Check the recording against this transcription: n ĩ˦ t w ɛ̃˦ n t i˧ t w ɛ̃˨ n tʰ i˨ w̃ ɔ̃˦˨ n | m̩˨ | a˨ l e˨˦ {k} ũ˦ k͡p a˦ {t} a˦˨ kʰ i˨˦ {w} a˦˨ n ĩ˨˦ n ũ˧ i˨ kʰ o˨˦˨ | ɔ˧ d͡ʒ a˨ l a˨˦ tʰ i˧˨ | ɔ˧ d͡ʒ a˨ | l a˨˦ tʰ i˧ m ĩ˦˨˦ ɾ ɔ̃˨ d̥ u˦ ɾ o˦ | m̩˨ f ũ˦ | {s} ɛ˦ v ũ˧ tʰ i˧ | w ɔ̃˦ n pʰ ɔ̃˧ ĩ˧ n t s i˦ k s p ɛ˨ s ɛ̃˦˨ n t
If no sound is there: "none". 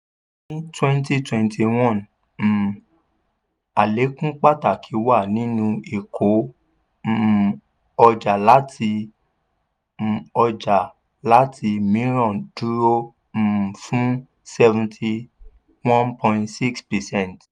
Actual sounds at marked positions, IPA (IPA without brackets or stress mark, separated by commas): k, t, w, s